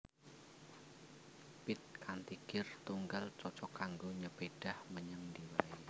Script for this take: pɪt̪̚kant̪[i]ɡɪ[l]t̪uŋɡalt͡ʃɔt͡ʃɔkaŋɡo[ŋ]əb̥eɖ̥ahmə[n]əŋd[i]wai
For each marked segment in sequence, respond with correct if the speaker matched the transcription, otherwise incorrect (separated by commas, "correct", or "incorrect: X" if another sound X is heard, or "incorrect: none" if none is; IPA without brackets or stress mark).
correct, incorrect: r, incorrect: ɲ, incorrect: ɲ, correct